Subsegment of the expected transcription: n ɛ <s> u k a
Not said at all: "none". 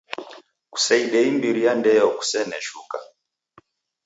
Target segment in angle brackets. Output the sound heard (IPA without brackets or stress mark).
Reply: ʃ